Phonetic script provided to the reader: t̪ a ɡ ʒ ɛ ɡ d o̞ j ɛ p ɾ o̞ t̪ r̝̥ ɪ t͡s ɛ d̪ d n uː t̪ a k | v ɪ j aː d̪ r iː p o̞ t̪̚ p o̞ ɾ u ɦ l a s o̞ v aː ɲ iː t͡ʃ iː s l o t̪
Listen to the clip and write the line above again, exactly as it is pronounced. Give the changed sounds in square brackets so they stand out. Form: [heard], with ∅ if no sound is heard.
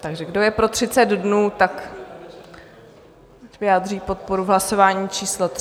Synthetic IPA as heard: t̪ a ɡ ʒ ɛ ɡ d o̞ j ɛ p ɾ o̞ t̪ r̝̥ ɪ t͡s ɛ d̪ d n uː t̪ a k | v ɪ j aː d̪ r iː p o̞ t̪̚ p o̞ ɾ u ɦ l a s o̞ v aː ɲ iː t͡ʃ iː s l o t̪